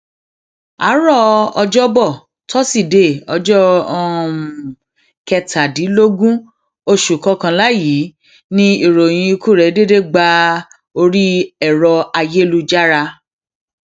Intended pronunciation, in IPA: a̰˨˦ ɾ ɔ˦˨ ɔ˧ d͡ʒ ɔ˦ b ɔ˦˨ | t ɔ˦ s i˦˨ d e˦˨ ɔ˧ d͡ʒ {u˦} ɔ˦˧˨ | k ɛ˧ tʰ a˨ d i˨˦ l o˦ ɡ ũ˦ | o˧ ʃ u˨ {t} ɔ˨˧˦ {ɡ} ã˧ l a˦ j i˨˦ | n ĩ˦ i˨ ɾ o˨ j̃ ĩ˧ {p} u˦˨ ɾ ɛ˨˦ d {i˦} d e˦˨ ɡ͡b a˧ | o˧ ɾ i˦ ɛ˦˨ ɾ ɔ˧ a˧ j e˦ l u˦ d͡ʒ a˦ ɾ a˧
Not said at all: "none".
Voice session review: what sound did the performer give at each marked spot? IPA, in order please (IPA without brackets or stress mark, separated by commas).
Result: ɔ˦, k, k, k, e˦